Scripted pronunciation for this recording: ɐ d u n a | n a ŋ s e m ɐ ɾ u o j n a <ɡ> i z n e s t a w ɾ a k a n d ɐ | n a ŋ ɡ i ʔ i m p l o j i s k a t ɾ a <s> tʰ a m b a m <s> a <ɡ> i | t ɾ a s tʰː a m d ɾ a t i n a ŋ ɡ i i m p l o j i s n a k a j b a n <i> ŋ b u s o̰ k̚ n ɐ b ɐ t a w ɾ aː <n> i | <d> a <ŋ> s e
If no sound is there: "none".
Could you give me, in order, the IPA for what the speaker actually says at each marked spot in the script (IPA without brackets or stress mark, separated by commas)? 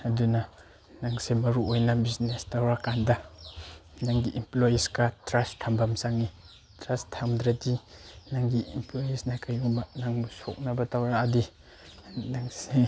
b, s, s, ŋ, a, d, n, ŋ